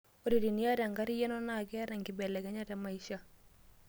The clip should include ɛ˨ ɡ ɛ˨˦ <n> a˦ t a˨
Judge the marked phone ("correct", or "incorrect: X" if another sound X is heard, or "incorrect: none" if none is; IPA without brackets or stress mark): incorrect: ɲ